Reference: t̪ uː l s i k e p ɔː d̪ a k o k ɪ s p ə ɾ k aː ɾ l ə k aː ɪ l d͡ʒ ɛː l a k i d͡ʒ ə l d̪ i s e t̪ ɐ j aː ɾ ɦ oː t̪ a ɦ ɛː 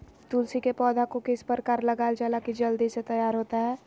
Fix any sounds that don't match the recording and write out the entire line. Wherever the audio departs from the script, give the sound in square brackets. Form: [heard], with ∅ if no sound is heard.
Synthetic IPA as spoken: t̪ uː l s i k e p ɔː d̪ a k o k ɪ s p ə ɾ k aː ɾ l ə [ɡ] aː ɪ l d͡ʒ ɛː l a k i d͡ʒ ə l d̪ i s e t̪ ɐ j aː ɾ ɦ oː t̪ a ɦ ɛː